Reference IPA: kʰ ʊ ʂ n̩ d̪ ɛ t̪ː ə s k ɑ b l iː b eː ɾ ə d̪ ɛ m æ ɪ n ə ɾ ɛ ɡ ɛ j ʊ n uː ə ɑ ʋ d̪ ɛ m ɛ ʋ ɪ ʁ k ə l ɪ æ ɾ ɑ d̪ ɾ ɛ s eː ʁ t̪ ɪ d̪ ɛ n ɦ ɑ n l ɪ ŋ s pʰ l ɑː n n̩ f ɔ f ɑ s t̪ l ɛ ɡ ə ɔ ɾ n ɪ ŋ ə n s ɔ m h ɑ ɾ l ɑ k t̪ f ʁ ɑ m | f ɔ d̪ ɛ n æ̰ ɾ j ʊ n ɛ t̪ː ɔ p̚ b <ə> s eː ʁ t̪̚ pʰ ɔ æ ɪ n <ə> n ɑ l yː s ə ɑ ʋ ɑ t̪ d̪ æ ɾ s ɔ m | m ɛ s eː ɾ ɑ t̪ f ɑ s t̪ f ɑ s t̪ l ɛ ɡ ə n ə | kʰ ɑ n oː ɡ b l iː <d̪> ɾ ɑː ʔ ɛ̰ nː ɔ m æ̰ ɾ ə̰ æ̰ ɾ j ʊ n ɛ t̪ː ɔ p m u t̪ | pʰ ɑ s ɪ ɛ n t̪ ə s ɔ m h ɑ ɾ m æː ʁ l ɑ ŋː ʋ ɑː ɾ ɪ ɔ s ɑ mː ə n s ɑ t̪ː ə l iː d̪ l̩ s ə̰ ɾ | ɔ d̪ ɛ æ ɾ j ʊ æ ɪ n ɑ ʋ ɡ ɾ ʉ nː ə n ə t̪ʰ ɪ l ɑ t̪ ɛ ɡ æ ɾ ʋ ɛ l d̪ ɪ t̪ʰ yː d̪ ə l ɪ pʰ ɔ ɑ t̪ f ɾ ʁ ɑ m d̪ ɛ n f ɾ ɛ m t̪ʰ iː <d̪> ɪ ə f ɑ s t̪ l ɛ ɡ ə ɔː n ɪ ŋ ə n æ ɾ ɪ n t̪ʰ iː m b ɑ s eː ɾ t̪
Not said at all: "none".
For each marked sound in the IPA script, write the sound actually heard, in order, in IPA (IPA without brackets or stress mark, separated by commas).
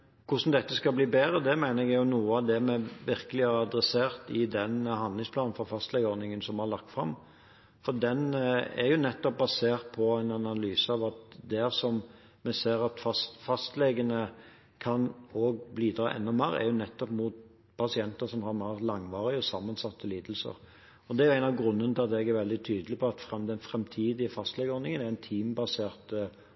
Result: ɑ, ɑ, d̪, d̪